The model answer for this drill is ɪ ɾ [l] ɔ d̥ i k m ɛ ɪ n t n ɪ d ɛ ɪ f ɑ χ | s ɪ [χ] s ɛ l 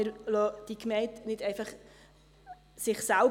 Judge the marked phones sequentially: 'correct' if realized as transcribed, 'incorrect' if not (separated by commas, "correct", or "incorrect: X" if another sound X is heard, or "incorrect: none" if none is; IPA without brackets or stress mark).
correct, correct